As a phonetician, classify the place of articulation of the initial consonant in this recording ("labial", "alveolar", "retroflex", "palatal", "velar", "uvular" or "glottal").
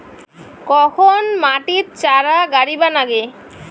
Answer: velar